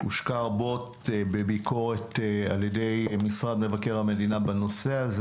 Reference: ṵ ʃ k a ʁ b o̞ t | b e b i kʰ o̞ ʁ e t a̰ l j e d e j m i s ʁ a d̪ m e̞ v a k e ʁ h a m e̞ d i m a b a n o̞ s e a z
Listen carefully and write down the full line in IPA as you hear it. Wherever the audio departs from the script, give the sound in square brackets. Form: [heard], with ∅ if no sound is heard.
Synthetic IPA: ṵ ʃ k a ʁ b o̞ t | b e b i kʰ o̞ ʁ e t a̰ l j e d e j m i s ʁ a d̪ m e̞ v a k e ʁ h a m e̞ d i [n] a b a n o̞ s e a z